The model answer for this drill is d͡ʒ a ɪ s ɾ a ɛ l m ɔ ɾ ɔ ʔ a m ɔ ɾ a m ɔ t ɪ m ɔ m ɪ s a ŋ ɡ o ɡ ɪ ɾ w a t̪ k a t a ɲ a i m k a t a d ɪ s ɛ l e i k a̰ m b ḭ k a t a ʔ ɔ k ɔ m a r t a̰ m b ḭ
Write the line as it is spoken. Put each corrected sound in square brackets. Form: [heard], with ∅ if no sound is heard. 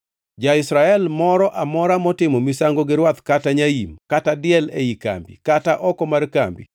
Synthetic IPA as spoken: d͡ʒ a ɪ s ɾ a ɛ l m ɔ ɾ ɔ ʔ a m ɔ ɾ a m ɔ t ɪ m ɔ m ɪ s a ŋ ɡ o ɡ ɪ ɾ w a t̪ k a t a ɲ a i m k a t a d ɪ [∅] ɛ l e i k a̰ m b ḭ k a t a ʔ ɔ k ɔ m a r [k] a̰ m b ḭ